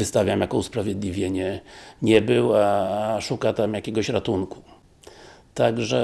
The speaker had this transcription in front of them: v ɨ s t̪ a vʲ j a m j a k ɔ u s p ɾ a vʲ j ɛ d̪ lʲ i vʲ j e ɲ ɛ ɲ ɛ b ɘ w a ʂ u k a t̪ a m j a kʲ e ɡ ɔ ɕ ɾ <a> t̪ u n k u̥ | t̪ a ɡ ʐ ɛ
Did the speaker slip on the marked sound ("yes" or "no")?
no